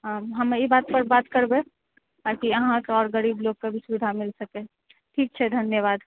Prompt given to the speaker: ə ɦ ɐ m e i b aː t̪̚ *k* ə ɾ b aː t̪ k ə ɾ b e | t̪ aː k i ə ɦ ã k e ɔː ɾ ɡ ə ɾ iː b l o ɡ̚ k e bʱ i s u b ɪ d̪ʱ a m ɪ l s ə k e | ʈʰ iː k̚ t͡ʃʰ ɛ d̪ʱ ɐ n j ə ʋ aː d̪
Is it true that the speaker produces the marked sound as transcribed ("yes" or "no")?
no